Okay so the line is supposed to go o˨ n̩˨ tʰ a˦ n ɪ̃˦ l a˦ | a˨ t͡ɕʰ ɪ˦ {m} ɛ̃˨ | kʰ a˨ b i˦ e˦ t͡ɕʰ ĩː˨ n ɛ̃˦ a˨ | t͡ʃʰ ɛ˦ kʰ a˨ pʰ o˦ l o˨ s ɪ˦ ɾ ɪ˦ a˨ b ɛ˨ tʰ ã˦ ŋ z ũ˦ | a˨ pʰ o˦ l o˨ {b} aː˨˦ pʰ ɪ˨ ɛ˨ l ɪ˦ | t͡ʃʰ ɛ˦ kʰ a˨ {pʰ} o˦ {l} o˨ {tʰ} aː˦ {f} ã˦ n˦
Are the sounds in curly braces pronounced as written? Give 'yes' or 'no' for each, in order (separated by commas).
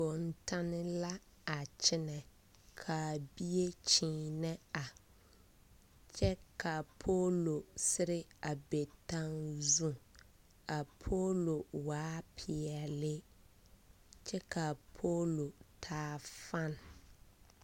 no, no, yes, yes, yes, yes